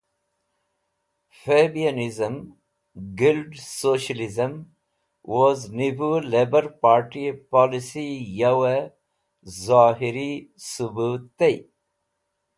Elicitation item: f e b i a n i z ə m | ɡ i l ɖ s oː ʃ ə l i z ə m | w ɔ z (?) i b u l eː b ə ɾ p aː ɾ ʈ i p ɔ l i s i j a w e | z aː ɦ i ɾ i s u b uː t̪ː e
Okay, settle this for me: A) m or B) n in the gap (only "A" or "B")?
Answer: B